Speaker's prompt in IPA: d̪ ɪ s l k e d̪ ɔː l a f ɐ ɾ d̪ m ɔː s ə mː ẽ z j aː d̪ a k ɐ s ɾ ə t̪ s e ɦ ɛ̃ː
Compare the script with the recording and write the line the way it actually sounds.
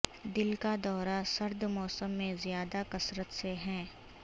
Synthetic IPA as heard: d̪ ɪ l k a d̪ ɔː ɾ a s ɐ ɾ d̪ m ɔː s ə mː ẽ z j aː d̪ a k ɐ s ɾ ə t̪ s e ɦ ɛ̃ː